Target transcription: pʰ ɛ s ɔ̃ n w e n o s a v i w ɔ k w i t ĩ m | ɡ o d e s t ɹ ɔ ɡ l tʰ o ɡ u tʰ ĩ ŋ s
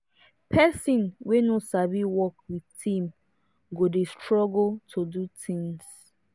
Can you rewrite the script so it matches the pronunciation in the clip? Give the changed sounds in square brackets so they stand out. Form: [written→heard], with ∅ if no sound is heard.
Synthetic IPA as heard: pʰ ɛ s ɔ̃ n w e n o s a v i w ɔ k w i t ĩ m | ɡ o d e s t ɹ ɔ ɡ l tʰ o [ɡ→d] u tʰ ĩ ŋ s